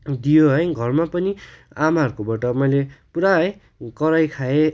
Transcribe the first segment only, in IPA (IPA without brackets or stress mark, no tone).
d̪